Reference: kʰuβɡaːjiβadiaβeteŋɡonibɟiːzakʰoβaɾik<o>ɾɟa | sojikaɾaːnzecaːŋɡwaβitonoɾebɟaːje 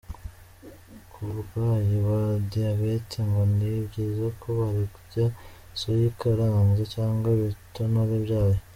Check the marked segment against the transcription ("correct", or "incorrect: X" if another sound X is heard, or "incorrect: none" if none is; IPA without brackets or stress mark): incorrect: u